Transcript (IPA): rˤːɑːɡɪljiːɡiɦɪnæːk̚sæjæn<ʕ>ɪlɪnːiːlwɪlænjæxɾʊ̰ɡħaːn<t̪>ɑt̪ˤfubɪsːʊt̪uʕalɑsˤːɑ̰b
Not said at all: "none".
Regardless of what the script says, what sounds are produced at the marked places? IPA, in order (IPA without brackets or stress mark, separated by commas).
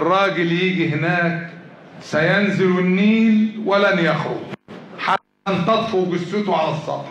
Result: z, t̪